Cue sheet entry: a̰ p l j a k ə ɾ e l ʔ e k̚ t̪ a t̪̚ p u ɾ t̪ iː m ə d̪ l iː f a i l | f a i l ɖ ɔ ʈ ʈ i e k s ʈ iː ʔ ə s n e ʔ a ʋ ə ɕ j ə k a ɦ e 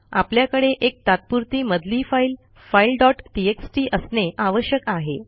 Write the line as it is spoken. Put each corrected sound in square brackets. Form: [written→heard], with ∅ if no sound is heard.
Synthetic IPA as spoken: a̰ p l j a k ə [ɾ→ɽ] e [l→∅] ʔ e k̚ t̪ a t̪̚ p u ɾ t̪ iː m ə d̪ l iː f a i l | f a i l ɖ ɔ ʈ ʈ i e k s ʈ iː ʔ ə s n e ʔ a ʋ ə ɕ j ə k a ɦ e